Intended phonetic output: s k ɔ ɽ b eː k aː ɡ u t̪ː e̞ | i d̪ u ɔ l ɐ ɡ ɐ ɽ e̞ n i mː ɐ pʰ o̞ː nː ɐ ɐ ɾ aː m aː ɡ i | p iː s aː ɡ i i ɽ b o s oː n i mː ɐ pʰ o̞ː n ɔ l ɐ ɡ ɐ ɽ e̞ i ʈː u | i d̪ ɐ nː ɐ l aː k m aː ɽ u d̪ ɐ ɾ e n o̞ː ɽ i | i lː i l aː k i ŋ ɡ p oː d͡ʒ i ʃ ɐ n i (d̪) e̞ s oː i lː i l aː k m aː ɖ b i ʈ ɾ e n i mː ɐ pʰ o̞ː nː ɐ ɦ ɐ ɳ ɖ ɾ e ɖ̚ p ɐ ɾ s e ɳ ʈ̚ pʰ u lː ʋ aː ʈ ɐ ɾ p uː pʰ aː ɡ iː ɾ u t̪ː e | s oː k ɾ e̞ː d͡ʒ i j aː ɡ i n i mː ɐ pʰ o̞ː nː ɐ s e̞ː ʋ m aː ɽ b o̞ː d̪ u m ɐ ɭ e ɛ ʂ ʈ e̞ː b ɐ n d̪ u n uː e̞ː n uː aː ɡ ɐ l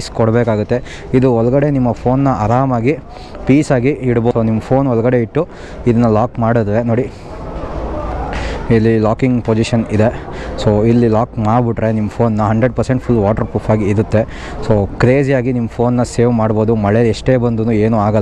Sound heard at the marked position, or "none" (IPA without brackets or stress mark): d̪